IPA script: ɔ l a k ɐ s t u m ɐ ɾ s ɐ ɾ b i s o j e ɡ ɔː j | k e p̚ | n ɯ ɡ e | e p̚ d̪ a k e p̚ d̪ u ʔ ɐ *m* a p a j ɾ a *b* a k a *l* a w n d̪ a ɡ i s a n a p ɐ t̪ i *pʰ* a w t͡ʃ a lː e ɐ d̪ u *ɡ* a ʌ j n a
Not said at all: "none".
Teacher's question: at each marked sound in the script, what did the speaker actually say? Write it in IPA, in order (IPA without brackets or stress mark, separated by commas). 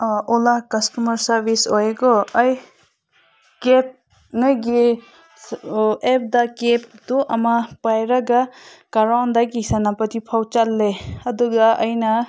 m, ɡ, ɾ, pʰ, ɡ